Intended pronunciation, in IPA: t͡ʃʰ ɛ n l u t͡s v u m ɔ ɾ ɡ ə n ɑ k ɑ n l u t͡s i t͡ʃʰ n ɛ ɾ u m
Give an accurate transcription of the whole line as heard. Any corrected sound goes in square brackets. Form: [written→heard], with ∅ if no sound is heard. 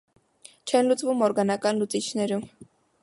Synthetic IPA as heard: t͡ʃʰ ɛ n l u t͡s v u m ɔ ɾ ɡ [ə→ɑ] n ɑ k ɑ n l u t͡s i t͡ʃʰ n ɛ ɾ u m